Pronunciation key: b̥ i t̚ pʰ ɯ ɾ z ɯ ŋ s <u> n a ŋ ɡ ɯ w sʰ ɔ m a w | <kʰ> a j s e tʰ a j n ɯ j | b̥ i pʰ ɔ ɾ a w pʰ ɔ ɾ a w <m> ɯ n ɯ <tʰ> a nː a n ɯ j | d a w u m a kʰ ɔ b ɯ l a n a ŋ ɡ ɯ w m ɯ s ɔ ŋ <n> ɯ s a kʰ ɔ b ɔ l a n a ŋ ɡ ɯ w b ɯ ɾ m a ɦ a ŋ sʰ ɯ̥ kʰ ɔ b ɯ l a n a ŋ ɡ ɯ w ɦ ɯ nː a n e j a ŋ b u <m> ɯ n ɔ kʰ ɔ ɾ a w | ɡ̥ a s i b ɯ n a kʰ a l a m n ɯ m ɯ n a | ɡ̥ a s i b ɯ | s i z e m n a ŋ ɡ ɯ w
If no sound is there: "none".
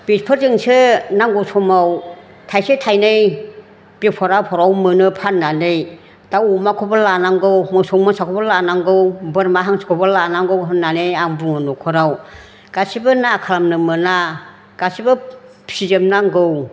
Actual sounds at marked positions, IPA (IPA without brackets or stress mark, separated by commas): ɯ, tʰ, m, pʰ, m, ŋ